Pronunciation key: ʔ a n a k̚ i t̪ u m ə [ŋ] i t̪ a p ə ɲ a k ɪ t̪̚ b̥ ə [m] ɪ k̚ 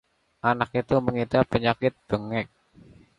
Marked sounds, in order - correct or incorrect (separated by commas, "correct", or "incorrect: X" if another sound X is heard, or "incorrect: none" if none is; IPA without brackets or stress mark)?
correct, incorrect: ŋ